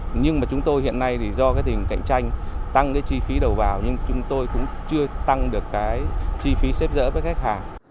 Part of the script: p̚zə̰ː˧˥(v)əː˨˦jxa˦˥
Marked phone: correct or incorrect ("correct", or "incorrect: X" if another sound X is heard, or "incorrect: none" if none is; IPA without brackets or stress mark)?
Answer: correct